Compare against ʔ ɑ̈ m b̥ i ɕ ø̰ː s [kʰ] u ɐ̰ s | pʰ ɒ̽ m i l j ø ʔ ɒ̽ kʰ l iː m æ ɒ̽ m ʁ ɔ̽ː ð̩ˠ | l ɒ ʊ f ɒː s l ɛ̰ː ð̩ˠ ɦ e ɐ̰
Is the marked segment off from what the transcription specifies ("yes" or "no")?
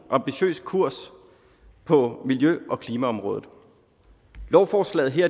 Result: no